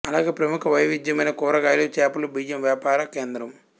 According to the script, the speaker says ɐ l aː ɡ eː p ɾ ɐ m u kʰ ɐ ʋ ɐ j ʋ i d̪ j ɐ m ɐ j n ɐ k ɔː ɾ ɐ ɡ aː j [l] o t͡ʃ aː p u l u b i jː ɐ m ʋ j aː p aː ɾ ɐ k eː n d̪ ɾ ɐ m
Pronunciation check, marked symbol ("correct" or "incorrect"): correct